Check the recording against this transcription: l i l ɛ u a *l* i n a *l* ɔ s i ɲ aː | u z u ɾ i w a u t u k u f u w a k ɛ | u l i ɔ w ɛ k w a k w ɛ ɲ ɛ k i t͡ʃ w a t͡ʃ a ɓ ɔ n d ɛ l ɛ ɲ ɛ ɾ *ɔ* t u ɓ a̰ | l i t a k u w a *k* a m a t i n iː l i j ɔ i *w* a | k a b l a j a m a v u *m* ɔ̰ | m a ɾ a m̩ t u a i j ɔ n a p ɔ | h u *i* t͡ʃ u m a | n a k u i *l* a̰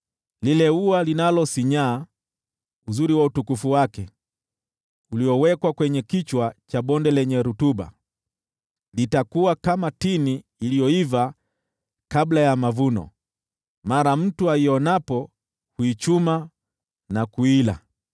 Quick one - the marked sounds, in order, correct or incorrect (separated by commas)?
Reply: correct, correct, incorrect, correct, incorrect, incorrect, correct, correct